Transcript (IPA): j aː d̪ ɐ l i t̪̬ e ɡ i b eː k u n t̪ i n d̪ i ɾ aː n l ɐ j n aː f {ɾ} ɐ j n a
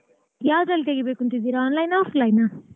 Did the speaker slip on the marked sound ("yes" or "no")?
yes